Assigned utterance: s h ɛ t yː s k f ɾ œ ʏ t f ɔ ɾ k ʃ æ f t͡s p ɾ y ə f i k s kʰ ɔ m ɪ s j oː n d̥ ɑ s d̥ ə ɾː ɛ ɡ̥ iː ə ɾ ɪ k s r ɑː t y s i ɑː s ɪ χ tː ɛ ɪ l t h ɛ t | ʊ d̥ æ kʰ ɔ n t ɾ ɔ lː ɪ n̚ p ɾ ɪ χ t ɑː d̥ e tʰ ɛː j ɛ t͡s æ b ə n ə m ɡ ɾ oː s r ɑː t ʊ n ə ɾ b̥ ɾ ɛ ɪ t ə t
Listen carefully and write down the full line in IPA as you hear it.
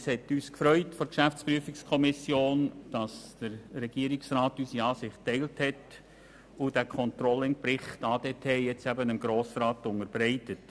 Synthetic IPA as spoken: s h ɛ t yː s k f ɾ œ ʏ t f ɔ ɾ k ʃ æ f t͡s p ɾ y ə f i k s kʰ ɔ m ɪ s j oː n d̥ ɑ s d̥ ə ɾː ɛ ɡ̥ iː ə ɾ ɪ k s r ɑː t y s i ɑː s ɪ χ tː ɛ ɪ l t h ɛ t | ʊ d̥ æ kʰ ɔ n t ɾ ɔ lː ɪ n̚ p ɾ ɪ χ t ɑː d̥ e tʰ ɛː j ɛ t͡s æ b ə n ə m ɡ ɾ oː s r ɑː t ʊ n ə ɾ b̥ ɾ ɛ ɪ t ə t